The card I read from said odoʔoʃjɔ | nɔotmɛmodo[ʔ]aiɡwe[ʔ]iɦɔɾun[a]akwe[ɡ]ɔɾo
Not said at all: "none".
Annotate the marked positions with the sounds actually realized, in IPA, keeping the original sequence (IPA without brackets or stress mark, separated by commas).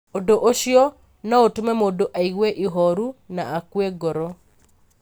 ʔ, ʔ, a, ɡ